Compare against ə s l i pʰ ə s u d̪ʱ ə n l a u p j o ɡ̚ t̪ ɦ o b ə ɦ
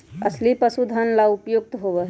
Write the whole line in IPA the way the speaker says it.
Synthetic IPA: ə s l i p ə s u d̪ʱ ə n l a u p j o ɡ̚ t̪ ɦ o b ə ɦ